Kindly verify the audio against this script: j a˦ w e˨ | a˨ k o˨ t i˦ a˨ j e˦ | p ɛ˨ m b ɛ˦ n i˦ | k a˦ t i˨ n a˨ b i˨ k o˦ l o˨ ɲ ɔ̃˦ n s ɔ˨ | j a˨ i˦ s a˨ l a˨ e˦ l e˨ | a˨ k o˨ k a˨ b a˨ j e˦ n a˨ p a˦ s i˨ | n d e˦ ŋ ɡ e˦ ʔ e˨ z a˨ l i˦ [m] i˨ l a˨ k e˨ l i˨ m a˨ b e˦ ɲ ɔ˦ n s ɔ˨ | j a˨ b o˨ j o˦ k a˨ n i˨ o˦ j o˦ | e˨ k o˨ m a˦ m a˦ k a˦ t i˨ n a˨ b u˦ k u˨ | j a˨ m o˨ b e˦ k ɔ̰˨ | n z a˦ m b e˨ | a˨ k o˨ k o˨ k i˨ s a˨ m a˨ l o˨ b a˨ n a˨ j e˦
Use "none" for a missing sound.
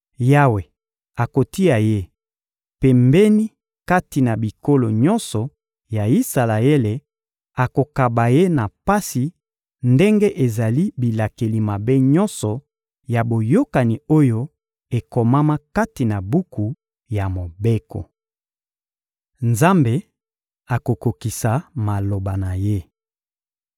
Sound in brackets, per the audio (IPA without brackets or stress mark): b